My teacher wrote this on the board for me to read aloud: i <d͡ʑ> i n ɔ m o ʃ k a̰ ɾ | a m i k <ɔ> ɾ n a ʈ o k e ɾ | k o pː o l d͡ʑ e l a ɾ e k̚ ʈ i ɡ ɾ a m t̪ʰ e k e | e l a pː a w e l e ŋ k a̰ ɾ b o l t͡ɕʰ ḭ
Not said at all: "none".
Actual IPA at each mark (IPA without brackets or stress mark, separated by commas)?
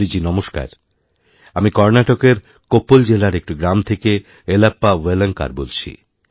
d͡ʑ, ɔ